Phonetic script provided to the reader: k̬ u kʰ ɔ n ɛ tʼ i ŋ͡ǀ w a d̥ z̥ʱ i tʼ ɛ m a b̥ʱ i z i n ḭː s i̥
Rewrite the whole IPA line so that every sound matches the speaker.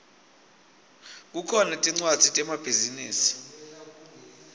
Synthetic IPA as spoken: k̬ u kʰ ɔ n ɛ tʼ i ŋ͡ǀ w a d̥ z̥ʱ i tʼ ɛ m a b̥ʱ i z i n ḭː s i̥